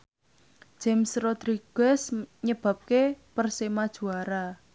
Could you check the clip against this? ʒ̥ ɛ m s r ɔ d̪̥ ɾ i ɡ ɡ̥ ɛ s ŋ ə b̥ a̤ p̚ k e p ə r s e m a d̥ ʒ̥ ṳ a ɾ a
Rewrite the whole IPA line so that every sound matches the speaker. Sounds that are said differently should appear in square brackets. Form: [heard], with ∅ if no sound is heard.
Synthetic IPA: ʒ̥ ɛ m s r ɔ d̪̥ ɾ i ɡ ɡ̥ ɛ s [ɲ] ə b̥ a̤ p̚ k e p ə r s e m a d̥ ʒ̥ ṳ a ɾ a